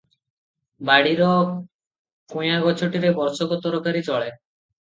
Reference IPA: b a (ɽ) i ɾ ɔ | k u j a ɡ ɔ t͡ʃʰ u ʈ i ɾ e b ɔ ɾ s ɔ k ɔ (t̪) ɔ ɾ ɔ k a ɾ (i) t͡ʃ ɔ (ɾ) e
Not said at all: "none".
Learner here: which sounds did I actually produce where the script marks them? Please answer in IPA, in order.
ɽ, t̪, i, ɭ

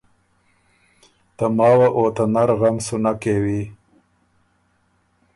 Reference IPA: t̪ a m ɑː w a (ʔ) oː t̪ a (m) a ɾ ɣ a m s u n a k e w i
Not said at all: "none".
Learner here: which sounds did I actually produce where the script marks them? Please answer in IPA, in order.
ʔ, n

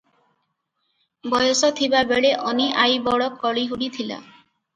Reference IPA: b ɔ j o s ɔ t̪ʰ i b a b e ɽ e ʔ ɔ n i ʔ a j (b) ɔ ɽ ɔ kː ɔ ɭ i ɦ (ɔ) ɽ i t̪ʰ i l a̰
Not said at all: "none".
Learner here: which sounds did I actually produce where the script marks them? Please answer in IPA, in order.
b, u

